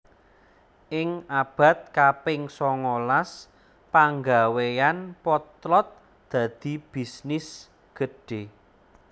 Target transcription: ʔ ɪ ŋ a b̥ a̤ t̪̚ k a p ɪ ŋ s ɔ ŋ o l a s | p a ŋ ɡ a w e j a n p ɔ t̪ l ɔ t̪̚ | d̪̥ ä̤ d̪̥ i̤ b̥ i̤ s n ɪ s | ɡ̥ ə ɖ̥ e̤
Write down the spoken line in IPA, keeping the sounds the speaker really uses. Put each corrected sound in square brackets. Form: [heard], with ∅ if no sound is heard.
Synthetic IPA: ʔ ɪ ŋ a b̥ a̤ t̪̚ k a p ɪ ŋ s ɔ ŋ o l a s | p a ŋ ɡ a w e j a n p ɔ t̪ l ɔ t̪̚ | d̪̥ ä̤ d̪̥ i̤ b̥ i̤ s n ɪ s | ɡ̥ ə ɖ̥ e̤

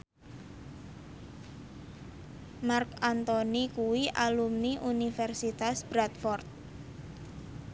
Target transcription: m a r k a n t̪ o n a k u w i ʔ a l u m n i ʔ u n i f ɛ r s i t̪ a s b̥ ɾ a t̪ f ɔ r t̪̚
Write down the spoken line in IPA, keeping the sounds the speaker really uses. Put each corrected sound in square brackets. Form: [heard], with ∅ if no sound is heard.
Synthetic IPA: m a r k a n t̪ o n [i] k u w i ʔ a l u m n i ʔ u n i f ɛ r s i t̪ a s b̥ ɾ a t̪ f ɔ r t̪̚

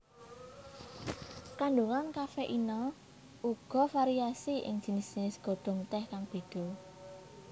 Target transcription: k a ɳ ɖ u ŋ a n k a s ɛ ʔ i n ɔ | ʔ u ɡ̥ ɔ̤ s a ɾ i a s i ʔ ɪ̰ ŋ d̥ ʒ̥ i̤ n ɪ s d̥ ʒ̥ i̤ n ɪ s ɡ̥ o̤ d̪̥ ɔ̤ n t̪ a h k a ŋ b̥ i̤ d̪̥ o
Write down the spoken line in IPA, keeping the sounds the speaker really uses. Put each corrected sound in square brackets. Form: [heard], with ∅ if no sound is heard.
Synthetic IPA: k a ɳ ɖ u ŋ a n k a [f] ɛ ʔ i n ɔ | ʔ u ɡ̥ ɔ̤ [f] a ɾ i a s i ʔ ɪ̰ ŋ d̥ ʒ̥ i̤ n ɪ s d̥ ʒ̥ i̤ n ɪ s ɡ̥ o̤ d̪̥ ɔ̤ [ŋ] t̪ [ɛ] h k a ŋ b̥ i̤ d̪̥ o

